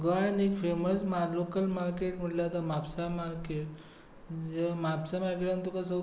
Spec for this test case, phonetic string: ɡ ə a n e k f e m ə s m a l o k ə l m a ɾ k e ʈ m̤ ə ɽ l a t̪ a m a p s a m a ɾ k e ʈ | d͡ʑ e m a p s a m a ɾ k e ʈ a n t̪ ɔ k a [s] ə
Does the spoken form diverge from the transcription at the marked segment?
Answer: no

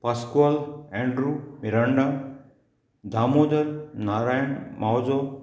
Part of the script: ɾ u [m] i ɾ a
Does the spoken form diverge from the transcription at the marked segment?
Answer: no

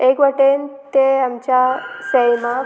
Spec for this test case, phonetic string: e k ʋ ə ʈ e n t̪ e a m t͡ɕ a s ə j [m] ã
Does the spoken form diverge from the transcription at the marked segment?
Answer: no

